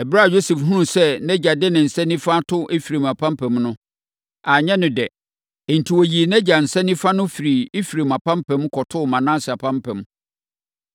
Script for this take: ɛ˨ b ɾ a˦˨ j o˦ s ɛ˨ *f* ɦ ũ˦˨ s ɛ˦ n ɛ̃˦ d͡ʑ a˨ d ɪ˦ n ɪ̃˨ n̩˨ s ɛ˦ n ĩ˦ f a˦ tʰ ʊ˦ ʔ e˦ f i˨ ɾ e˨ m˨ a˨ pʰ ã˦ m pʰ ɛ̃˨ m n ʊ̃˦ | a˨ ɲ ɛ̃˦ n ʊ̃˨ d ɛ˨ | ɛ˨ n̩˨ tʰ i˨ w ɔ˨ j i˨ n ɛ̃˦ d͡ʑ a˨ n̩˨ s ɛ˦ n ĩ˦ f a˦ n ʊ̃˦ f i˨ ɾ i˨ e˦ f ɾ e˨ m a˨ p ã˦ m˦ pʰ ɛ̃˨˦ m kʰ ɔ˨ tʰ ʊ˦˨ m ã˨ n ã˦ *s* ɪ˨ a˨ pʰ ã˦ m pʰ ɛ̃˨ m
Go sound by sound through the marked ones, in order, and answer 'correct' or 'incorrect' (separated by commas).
correct, correct